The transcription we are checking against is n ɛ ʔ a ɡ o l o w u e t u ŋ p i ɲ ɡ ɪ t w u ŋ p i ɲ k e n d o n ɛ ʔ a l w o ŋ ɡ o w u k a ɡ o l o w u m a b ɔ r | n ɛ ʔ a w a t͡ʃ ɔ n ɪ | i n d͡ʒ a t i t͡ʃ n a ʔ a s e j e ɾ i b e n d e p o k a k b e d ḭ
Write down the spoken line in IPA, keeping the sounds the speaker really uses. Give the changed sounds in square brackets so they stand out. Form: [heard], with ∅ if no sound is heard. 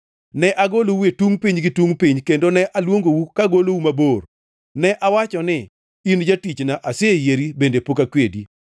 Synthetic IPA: n ɛ ʔ a ɡ o l o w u e t u ŋ p i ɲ ɡ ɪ t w u ŋ p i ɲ k e n d o n ɛ ʔ a l w o ŋ ɡ o w u k a ɡ o l o w u m a b [o] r | n ɛ ʔ a w a t͡ʃ ɔ n ɪ | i n d͡ʒ a t i t͡ʃ n a ʔ a s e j e ɾ i b e n d e p o k a k [w] e d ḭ

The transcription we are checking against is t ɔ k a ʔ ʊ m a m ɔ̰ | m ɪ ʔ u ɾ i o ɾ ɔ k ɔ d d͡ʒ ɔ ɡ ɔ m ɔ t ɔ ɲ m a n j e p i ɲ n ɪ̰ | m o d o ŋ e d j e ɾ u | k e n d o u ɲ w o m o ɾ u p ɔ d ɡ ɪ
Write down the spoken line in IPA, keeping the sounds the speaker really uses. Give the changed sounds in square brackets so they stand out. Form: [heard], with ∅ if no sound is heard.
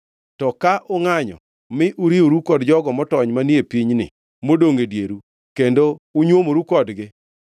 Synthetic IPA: t ɔ k a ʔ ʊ [ŋ] a [ɲ] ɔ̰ | m ɪ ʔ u ɾ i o ɾ [u] k ɔ d d͡ʒ ɔ ɡ ɔ m ɔ t ɔ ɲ m a n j e p i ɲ n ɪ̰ | m o d o ŋ e d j e ɾ u | k e n d o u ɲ w o m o ɾ u [k] ɔ d ɡ ɪ

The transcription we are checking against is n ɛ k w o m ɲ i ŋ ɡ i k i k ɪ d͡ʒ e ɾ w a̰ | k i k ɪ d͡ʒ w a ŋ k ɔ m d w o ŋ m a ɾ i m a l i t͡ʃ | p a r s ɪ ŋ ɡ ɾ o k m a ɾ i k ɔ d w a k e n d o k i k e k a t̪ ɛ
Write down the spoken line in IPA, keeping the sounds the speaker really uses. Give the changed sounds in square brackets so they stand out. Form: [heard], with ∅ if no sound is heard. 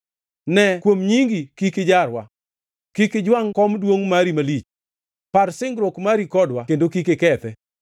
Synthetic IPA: n ɛ k w o m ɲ i ŋ ɡ i k i k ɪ d͡ʒ [a] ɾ w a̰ | k i k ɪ d͡ʒ w a ŋ k ɔ m d w o ŋ m a ɾ i m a l i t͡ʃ | p a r s ɪ ŋ ɡ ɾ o k m a ɾ i k ɔ d w a k e n d o k i k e k [ɛ] t̪ ɛ

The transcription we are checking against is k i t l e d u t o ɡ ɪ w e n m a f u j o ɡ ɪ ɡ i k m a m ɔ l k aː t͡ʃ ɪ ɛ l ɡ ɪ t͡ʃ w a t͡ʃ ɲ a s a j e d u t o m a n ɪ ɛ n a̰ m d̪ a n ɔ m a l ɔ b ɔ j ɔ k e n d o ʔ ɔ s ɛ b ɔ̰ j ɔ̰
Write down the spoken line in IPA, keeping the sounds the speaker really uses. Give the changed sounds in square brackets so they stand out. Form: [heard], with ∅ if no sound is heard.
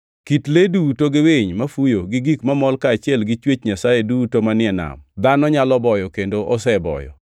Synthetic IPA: k i t l e d u t o ɡ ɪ w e [ɲ] m a f u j o ɡ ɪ ɡ i k m a m ɔ l k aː t͡ʃ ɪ ɛ l ɡ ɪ t͡ʃ w [e] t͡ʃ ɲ a s a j e d u t o m a n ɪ ɛ n a̰ m d̪ a n ɔ [ɲ] a l ɔ b ɔ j ɔ k e n d o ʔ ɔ s ɛ b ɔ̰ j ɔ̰

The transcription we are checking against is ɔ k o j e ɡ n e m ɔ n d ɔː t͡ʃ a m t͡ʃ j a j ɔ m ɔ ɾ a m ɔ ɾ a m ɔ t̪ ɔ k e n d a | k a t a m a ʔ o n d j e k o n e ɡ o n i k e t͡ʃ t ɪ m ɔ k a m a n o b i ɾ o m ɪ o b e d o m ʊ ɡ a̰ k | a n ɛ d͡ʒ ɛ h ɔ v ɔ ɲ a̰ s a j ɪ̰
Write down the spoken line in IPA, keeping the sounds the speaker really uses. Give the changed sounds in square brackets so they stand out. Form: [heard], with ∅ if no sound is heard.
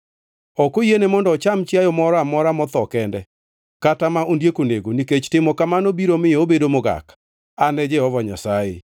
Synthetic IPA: ɔ k o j e [∅] n e m ɔ n d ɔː t͡ʃ a m t͡ʃ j a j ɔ m ɔ ɾ a m ɔ ɾ a m ɔ t̪ ɔ k [ɛ] n d [ɛ] | k a t a m a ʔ o n d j e k o n e ɡ o n i k e t͡ʃ t ɪ m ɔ k a m a n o b i ɾ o m ɪ o b e d o m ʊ ɡ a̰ k | a n ɛ d͡ʒ ɛ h ɔ v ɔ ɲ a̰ s a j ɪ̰

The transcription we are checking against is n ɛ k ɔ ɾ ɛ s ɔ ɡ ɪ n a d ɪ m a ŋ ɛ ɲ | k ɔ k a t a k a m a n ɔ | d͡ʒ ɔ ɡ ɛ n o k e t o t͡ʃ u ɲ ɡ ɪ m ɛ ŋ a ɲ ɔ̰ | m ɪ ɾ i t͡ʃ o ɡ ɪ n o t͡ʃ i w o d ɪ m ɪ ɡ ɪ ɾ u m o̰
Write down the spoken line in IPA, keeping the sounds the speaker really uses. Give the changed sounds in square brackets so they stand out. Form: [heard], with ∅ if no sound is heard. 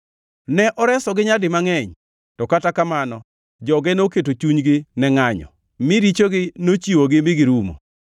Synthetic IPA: n ɛ [ʔ] ɔ ɾ ɛ s ɔ ɡ ɪ [ɲ] a d ɪ m a ŋ ɛ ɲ | [t] ɔ k a t a k a m a n ɔ | d͡ʒ ɔ ɡ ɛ n o k e t o t͡ʃ u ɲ ɡ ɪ [n] ɛ ŋ a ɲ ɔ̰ | m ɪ ɾ i t͡ʃ o ɡ ɪ n o t͡ʃ i w o [ɡ] ɪ m ɪ ɡ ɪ ɾ u m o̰

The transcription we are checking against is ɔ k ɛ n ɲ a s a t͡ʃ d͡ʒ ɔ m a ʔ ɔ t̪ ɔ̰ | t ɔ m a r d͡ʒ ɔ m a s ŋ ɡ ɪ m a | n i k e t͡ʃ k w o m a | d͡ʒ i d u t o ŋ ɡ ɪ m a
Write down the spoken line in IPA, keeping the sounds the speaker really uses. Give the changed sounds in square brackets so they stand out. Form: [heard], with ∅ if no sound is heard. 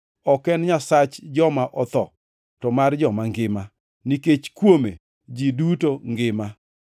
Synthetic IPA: ɔ k ɛ n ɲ a s a t͡ʃ d͡ʒ ɔ m a ʔ ɔ t̪ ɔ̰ | t ɔ m a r d͡ʒ ɔ m a [∅] ŋ ɡ ɪ m a | n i k e t͡ʃ k w o m [e] | d͡ʒ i d u t o ŋ ɡ ɪ m a

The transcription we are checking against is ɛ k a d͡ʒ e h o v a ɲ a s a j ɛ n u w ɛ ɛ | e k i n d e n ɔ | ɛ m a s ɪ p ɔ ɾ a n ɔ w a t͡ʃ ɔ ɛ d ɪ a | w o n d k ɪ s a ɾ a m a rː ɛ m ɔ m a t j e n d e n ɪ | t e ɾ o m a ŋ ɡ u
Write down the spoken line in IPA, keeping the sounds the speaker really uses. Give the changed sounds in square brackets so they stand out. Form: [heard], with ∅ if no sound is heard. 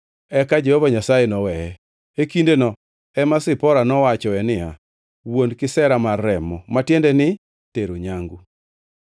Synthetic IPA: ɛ k a d͡ʒ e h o v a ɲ a s a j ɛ n [ɔ] w ɛ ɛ | e k i n d e n ɔ | ɛ m a s ɪ p ɔ ɾ a n ɔ w a t͡ʃ ɔ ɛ [n] ɪ a | w o n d k ɪ s [ɛ] ɾ a m a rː ɛ m ɔ m a t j e n d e n ɪ | t e ɾ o [ɲ] a ŋ ɡ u

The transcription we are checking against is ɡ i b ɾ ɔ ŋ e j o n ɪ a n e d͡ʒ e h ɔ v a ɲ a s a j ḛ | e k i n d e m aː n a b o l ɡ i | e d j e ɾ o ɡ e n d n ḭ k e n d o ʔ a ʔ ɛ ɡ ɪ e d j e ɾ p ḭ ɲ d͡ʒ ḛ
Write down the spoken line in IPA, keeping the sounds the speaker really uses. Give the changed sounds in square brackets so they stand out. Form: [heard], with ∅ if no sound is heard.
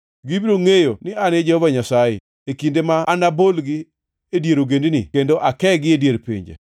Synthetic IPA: ɡ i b ɾ [o] ŋ e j o n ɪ a n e d͡ʒ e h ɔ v a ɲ a s a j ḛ | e k i n d e m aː n a b o l ɡ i | e d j e ɾ o ɡ e n d n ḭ k e n d o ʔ a [k] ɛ ɡ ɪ e d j e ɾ p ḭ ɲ d͡ʒ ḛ

